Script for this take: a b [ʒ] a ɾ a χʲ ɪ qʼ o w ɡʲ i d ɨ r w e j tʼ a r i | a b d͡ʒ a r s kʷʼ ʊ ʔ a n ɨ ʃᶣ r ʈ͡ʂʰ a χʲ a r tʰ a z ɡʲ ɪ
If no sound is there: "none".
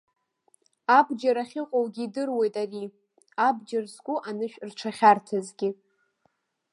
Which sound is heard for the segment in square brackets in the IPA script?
d͡ʒ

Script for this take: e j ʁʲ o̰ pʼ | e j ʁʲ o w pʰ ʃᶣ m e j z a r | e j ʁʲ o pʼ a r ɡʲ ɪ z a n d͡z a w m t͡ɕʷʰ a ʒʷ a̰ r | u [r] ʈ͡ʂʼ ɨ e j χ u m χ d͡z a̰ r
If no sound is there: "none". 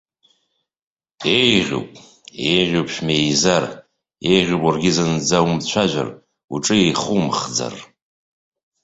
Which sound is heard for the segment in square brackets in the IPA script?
none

